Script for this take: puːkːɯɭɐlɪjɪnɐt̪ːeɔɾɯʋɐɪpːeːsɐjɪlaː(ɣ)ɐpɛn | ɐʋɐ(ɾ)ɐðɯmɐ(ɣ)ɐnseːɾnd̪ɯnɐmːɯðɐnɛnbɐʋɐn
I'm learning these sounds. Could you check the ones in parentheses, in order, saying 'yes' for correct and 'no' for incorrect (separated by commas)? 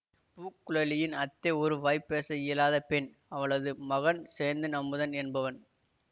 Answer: no, no, yes